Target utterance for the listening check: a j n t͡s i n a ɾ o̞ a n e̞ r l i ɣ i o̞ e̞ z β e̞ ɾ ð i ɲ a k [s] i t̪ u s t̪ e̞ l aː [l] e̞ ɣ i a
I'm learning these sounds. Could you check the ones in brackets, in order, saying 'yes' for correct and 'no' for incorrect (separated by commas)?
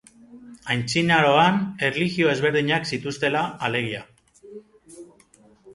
yes, yes